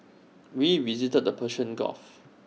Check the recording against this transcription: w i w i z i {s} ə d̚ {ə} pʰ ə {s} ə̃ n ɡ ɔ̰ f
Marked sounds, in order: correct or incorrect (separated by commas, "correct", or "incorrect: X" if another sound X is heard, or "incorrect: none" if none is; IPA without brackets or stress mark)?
incorrect: t, correct, incorrect: ʃ